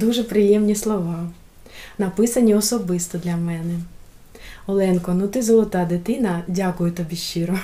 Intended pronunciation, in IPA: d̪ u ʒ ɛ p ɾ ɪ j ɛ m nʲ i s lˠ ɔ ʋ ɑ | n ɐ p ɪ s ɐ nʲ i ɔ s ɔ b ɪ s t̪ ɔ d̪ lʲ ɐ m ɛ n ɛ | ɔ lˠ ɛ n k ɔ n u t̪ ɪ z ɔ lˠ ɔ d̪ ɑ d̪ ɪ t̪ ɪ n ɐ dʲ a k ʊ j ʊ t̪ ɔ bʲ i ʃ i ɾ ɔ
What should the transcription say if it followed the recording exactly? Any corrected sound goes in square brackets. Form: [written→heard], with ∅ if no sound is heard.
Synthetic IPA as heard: d̪ u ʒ ɛ p ɾ ɪ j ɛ m nʲ i s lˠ ɔ ʋ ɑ | n ɐ p ɪ s ɐ nʲ i ɔ s ɔ b ɪ s t̪ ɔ d̪ lʲ ɐ m ɛ n ɛ | ɔ lˠ ɛ n k ɔ n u t̪ ɪ z ɔ lˠ ɔ [d̪→t̪] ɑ d̪ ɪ t̪ ɪ n ɐ dʲ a k ʊ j ʊ t̪ ɔ bʲ i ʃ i ɾ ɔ